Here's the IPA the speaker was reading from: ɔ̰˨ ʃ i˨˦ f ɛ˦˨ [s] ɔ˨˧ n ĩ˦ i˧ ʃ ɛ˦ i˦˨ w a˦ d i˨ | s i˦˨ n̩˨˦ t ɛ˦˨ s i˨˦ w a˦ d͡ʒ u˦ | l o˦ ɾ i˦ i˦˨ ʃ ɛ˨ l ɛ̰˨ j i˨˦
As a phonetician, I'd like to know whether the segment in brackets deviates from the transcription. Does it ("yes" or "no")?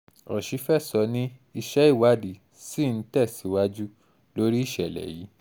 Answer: no